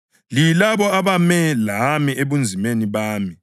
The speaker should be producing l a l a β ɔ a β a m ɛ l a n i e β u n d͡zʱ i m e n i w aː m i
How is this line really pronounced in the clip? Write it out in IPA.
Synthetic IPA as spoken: l i l a β ɔ a β a m ɛ l a m i e β u n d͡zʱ i m e n i β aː m i